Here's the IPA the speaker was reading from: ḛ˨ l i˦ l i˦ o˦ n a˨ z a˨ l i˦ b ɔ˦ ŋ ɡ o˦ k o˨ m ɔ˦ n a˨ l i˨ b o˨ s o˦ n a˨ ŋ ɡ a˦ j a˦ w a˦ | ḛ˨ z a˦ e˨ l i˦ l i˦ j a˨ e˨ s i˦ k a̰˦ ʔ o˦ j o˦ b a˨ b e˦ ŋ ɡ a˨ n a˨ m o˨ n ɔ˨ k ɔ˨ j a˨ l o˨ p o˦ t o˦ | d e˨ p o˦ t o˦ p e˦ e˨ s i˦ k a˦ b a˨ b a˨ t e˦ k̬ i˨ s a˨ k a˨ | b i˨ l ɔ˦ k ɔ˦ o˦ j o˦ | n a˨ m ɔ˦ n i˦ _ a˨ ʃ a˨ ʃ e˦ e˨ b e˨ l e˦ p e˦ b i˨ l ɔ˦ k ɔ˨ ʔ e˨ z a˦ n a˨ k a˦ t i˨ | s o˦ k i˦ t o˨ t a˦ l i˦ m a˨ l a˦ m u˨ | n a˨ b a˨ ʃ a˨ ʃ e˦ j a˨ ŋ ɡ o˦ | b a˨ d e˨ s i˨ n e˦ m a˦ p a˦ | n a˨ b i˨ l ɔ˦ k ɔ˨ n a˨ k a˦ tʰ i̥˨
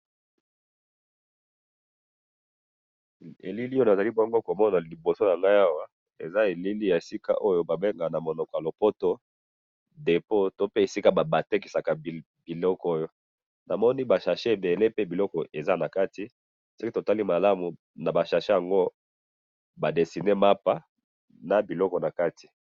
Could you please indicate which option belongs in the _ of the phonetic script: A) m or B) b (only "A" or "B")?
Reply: B